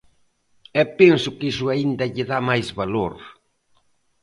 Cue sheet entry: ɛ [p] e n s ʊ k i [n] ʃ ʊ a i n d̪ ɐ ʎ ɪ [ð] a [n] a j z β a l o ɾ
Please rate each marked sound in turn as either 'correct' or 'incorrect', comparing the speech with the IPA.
correct, incorrect, correct, incorrect

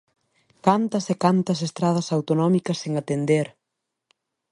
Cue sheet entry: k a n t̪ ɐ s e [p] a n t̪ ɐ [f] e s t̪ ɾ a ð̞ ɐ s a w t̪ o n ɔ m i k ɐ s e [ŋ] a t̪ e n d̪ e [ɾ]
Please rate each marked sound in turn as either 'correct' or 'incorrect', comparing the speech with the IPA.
incorrect, incorrect, correct, correct

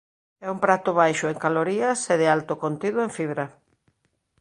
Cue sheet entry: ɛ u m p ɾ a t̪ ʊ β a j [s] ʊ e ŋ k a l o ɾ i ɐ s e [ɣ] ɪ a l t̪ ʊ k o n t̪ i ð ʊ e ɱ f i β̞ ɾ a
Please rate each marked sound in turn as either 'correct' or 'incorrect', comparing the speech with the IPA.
incorrect, incorrect

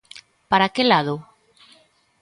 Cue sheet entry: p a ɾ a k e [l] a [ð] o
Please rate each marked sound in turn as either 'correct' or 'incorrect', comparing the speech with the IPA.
correct, correct

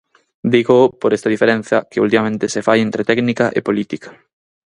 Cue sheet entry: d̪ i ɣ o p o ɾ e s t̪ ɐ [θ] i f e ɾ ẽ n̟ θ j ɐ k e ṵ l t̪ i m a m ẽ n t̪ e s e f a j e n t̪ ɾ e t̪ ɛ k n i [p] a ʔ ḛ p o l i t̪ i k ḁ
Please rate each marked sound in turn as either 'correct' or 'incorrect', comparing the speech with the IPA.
incorrect, incorrect

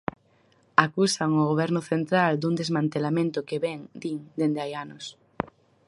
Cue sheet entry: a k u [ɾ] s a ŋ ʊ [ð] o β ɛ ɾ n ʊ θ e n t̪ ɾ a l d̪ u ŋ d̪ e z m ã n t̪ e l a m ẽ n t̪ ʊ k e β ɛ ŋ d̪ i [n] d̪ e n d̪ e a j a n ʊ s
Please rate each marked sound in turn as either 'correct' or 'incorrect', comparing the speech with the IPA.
incorrect, incorrect, incorrect

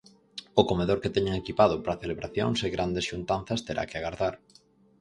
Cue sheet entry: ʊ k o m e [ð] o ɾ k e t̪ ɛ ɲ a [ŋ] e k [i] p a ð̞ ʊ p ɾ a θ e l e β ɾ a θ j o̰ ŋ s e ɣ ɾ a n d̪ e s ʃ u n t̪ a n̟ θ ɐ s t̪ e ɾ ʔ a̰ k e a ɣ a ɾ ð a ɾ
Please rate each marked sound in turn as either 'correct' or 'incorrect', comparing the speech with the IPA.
correct, correct, correct

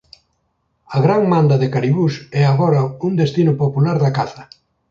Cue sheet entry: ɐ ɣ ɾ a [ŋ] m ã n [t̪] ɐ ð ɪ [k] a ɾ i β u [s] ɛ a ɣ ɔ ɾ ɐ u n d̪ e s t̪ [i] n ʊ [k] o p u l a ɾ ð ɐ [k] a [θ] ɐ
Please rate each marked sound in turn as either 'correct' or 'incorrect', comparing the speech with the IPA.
correct, incorrect, correct, correct, correct, incorrect, correct, correct

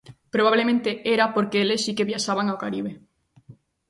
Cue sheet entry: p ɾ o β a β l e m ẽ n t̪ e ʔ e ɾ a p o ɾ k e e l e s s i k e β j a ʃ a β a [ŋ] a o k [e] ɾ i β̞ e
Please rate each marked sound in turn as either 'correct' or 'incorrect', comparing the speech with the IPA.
correct, incorrect

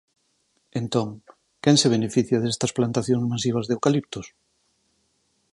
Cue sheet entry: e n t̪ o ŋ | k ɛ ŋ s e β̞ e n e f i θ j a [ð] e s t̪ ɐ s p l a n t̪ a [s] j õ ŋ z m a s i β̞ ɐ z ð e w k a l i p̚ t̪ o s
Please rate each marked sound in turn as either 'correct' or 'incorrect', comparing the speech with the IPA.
correct, incorrect

